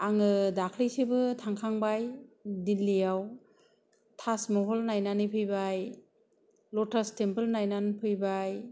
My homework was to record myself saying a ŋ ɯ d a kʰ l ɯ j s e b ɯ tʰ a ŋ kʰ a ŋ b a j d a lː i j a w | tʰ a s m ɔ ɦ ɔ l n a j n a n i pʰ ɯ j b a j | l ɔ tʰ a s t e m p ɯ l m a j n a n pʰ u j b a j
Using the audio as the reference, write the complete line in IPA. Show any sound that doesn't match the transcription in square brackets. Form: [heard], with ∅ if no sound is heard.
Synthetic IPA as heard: a ŋ ɯ d a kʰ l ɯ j s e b ɯ tʰ a ŋ kʰ a ŋ b a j d [i] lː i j a w | tʰ a s m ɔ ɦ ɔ l n a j n a n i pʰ ɯ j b a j | l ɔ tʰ a s t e m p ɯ l [n] a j n a n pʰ [ɯ] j b a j